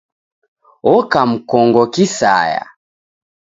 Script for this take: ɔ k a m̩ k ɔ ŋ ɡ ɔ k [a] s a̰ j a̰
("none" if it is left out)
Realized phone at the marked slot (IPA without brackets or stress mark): i